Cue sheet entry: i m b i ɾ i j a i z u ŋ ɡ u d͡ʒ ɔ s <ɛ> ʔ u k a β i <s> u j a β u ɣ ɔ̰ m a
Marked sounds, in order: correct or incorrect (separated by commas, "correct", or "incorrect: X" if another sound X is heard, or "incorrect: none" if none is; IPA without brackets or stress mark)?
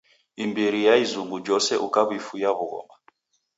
correct, incorrect: f